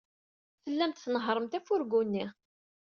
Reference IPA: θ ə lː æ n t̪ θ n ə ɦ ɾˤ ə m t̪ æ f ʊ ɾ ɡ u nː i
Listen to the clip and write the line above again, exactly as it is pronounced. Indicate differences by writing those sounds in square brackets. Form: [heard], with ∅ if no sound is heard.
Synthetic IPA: θ ə lː æ [m] t̪ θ n ə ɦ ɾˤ ə m t̪ æ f ʊ ɾ ɡ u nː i